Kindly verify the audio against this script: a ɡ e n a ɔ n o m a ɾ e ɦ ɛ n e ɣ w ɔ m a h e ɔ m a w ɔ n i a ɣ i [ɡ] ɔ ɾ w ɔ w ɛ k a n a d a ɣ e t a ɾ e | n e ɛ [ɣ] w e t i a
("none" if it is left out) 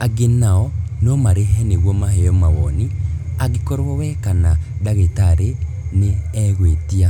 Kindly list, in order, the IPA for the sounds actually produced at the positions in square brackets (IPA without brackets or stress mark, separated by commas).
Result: k, ɣ